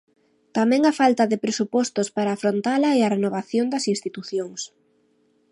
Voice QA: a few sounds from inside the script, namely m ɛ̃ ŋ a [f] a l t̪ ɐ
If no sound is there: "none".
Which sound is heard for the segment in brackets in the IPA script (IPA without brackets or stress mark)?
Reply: f